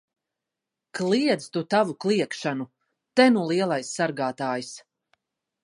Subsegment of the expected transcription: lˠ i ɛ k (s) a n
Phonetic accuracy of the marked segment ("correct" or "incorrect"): incorrect